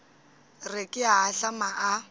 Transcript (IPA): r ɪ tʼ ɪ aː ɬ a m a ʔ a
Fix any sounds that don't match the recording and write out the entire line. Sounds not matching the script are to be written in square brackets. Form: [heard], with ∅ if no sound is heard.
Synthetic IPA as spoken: r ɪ [kʼ] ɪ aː ɬ a m a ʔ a